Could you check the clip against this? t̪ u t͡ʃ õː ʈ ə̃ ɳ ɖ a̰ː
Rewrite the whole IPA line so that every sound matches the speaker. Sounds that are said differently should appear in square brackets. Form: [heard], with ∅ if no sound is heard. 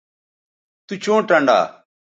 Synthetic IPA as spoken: t̪ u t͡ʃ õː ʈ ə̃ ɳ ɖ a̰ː